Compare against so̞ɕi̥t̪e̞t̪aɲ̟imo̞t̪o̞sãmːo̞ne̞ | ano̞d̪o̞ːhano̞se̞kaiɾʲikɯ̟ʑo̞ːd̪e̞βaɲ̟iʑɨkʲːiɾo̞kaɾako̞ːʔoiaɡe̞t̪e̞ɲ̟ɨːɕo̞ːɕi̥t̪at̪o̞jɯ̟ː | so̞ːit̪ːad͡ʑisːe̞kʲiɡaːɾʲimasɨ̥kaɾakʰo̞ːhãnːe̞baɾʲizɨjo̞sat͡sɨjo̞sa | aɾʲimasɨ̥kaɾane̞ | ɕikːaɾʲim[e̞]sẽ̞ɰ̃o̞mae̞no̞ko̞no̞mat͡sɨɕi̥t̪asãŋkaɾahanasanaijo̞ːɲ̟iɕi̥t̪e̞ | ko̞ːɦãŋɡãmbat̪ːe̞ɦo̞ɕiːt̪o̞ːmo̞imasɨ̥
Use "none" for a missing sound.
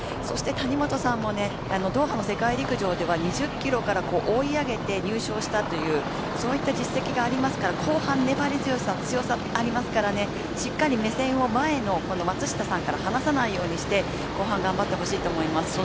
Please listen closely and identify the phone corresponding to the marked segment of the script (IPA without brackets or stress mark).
e̞